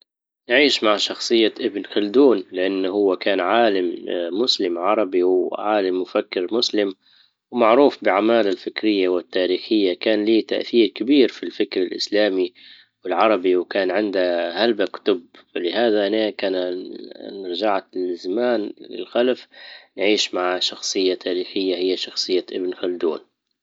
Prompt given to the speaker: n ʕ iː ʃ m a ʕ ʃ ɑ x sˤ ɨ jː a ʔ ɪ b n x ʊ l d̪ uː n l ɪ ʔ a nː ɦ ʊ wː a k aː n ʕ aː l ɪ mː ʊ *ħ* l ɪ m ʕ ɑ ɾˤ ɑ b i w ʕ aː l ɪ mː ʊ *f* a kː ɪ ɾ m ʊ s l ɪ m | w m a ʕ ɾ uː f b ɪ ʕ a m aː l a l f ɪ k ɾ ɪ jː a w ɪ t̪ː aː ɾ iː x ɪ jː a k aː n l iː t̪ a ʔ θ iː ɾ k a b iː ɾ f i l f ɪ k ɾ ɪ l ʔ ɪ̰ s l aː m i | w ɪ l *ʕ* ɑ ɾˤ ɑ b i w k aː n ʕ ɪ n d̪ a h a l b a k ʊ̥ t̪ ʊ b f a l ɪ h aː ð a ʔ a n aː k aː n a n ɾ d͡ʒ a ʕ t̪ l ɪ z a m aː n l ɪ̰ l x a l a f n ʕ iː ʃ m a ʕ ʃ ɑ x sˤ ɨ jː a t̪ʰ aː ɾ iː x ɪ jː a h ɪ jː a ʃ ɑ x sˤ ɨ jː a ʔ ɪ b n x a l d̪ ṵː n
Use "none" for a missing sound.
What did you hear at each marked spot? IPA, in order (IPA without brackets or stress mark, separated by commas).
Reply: s, f, ʕ